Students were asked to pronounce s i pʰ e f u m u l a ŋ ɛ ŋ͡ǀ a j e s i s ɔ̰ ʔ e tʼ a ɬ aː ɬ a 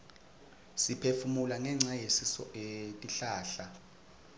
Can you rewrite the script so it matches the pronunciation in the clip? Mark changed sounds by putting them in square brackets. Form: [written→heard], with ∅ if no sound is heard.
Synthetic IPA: s i pʰ e f u m u l a ŋ ɛ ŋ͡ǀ a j e s i s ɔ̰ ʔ e tʼ [a→i] ɬ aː ɬ a